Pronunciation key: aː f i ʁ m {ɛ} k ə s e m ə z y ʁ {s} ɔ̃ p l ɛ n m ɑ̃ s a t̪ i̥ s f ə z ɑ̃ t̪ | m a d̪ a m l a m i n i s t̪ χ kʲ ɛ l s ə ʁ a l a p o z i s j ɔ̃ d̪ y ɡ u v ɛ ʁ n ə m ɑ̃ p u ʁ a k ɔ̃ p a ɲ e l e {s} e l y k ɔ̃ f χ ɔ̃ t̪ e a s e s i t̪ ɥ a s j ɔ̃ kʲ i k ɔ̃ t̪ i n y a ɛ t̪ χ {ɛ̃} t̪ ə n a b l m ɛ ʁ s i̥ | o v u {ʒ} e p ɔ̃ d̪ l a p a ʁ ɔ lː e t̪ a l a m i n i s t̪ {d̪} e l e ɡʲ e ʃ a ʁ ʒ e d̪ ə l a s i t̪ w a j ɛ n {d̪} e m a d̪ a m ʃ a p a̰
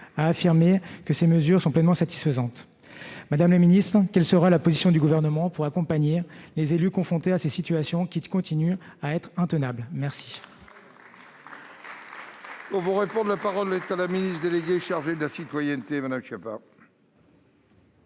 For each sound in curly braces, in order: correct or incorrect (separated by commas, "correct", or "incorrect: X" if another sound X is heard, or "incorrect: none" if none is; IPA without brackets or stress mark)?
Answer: incorrect: e, correct, incorrect: z, correct, incorrect: ʁ, correct, incorrect: t̪